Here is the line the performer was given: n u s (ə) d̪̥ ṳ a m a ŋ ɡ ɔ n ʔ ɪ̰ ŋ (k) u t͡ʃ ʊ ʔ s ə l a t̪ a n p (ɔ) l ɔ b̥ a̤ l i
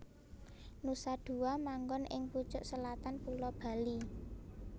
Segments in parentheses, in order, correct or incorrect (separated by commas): incorrect, incorrect, incorrect